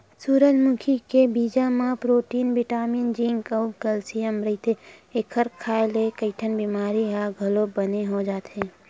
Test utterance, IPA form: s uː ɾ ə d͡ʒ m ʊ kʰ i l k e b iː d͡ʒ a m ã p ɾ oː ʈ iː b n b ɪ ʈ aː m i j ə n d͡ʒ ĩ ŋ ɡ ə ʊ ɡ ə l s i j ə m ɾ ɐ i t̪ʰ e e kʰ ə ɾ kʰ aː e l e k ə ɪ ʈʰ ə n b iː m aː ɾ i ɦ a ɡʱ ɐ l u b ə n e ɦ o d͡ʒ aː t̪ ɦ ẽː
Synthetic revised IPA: s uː ɾ ə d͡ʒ m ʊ kʰ i k e b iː d͡ʒ a m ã p ɾ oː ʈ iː n b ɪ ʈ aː m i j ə n d͡ʒ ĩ ŋ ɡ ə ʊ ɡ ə l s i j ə m ɾ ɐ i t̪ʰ e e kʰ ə ɾ kʰ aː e l e k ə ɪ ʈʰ ə n b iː m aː ɾ i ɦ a ɡʱ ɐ l o b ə n e ɦ o d͡ʒ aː t̪ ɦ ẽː